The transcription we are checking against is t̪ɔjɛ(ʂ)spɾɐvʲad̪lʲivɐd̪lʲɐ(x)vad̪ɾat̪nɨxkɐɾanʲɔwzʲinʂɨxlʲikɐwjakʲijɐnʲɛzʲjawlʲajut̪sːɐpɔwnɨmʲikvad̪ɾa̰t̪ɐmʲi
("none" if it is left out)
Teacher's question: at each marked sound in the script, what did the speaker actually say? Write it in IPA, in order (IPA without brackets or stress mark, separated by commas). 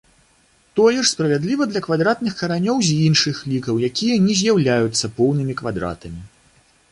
ʂ, k